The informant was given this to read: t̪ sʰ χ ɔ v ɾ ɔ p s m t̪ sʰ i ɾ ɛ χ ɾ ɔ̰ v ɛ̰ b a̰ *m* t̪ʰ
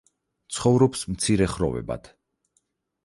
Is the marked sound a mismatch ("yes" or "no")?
yes